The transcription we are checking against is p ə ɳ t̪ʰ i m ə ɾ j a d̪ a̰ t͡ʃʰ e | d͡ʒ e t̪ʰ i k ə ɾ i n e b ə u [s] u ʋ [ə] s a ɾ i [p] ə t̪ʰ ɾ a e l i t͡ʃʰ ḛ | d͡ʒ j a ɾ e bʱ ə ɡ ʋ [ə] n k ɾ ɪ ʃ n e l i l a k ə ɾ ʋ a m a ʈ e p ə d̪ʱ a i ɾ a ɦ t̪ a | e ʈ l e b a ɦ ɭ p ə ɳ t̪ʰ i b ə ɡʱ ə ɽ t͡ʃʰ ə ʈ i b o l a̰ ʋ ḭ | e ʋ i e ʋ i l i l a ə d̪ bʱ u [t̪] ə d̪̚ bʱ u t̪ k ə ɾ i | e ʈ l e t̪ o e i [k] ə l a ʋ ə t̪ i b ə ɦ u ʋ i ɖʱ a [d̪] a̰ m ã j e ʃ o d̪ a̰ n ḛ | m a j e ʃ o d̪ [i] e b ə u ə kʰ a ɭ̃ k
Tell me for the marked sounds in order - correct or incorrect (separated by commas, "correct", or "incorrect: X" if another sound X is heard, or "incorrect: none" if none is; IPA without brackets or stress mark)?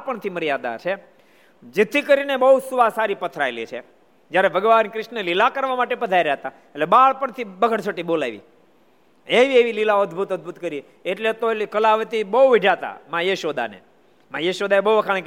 correct, incorrect: a, correct, incorrect: a, correct, correct, incorrect: t̪, incorrect: a